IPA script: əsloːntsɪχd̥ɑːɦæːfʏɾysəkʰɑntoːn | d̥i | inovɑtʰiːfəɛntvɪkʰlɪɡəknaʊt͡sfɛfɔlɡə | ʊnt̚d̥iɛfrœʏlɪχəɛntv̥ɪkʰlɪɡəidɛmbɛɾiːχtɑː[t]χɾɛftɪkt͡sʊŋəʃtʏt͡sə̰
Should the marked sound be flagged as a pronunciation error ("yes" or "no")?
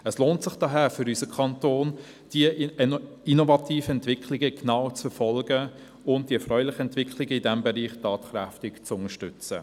no